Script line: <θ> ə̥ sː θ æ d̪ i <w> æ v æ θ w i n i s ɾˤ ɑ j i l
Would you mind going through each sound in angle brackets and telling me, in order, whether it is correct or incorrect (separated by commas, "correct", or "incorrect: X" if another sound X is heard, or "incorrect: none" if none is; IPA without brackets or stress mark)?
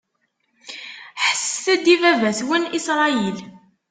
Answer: incorrect: ħ, incorrect: v